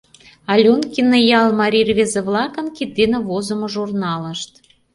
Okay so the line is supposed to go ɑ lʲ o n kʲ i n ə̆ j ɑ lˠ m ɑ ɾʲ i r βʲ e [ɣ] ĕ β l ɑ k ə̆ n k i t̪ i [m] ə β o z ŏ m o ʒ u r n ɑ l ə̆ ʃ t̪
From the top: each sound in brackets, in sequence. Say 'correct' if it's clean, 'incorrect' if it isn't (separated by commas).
incorrect, incorrect